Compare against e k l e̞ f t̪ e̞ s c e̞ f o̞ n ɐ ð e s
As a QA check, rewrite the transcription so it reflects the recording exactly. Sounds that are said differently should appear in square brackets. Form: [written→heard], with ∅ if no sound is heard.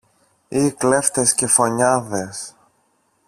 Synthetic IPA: [e→i] k l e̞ f t̪ e̞ s c e̞ f o̞ [n→ɲ] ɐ ð e s